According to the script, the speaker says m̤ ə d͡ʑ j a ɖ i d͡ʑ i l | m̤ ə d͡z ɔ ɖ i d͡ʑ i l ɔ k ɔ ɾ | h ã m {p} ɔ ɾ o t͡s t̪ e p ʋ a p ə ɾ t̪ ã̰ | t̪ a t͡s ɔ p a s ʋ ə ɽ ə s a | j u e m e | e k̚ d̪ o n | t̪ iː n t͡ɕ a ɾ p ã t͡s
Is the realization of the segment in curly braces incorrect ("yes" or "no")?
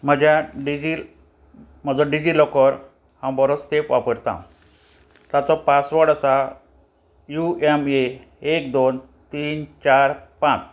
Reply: yes